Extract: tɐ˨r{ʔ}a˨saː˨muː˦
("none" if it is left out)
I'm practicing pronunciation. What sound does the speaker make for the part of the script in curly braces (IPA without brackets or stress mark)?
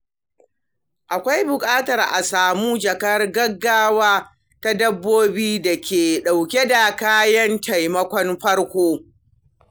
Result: ʔ